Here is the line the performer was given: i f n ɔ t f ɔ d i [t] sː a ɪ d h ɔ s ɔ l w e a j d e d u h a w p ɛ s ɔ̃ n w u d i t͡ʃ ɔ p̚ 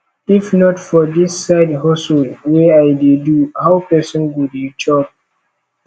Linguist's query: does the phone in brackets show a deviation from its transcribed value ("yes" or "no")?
yes